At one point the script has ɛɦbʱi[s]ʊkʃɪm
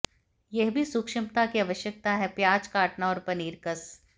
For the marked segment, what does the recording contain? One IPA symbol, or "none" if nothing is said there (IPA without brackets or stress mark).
s